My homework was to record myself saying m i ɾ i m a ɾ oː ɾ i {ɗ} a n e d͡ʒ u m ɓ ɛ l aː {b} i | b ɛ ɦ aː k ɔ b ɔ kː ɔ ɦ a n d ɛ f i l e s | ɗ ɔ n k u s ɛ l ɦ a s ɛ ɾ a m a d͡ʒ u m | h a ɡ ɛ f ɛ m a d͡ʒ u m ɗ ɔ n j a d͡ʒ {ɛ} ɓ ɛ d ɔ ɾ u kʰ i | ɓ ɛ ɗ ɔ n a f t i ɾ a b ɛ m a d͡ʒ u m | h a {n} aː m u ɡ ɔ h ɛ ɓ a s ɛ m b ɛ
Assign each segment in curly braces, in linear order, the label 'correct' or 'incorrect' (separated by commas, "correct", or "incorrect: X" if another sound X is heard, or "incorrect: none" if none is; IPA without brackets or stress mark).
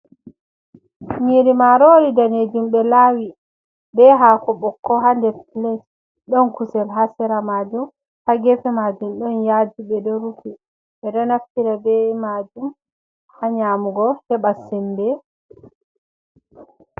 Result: incorrect: d, incorrect: w, incorrect: i, incorrect: ɲ